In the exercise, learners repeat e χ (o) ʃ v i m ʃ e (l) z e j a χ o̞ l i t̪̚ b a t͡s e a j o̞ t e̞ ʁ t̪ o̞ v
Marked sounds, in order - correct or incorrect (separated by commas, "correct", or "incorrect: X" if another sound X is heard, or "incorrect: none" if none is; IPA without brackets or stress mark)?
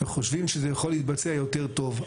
correct, incorrect: none